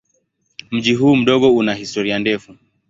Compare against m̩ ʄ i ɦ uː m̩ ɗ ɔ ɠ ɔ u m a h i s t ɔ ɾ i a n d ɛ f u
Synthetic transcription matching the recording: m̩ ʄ i ɦ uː m̩ ɗ ɔ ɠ ɔ u n a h i s t ɔ ɾ i a n d ɛ f u